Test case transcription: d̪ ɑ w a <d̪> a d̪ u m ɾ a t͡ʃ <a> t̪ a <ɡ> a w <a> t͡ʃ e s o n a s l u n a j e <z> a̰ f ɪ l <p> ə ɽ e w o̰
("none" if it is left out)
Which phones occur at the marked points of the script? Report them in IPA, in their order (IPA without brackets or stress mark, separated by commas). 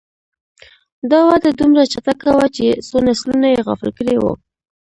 d̪, a, k, a, ɣ, k